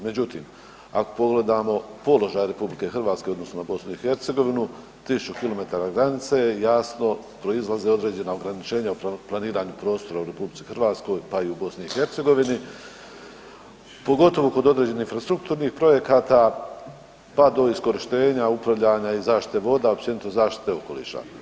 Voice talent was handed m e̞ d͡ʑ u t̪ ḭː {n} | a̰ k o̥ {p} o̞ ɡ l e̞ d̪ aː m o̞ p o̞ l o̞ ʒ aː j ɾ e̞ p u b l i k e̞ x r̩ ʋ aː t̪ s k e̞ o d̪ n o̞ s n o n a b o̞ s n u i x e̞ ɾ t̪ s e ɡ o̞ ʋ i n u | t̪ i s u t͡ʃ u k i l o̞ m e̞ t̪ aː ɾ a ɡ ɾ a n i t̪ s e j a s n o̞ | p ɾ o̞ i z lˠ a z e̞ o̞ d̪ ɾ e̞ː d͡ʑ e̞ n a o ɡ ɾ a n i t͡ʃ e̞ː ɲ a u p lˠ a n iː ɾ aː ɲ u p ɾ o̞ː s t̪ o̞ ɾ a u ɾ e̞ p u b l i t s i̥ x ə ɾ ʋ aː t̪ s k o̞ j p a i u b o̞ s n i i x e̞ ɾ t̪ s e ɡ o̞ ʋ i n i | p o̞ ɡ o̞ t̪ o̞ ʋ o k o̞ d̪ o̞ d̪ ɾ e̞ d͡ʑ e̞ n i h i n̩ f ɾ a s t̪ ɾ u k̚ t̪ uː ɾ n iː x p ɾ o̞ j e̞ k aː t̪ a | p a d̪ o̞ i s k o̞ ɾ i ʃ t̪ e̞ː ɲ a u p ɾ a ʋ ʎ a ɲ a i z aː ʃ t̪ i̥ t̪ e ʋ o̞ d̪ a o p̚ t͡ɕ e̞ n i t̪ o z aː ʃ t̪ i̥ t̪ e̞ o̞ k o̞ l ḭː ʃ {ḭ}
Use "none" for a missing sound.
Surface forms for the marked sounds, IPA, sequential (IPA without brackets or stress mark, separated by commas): m, p, a̰